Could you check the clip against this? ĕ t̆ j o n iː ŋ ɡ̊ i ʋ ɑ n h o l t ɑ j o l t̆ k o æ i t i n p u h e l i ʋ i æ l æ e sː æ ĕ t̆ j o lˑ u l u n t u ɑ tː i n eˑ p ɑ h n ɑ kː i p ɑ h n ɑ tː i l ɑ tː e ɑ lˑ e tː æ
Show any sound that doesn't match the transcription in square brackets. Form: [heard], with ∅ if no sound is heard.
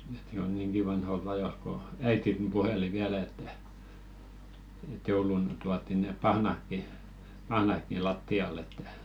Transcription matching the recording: ĕ t̆ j o n iː ŋ ɡ̊ i ʋ ɑ n h o l t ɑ j o l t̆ k o æ i t i n p u h e l i ʋ i æ l æ e [tː] æ ĕ t̆ j o [∅] u l u n t u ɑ tː i n eˑ p ɑ h n ɑ kː i p ɑ h n ɑ [kː] i l ɑ tː [i] ɑ lˑ e tː æ